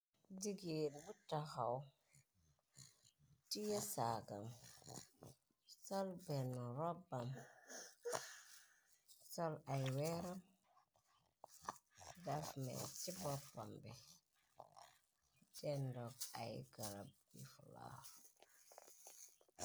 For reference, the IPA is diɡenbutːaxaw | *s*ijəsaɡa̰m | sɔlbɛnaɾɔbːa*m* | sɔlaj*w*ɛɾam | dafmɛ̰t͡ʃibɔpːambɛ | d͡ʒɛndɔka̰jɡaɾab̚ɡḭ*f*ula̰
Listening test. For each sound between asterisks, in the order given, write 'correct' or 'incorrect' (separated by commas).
incorrect, correct, correct, correct